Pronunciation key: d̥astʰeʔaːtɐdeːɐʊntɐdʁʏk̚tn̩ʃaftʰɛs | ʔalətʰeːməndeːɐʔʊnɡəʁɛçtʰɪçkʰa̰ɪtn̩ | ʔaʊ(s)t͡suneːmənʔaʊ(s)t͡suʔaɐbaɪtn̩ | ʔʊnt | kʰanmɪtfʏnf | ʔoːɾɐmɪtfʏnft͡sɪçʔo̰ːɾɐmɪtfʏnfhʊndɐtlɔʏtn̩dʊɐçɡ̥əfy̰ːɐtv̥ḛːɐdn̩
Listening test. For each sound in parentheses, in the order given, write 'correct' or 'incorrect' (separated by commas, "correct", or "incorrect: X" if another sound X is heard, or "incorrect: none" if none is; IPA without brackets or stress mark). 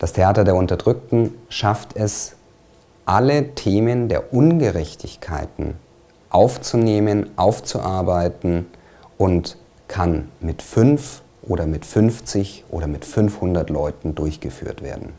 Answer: incorrect: f, incorrect: f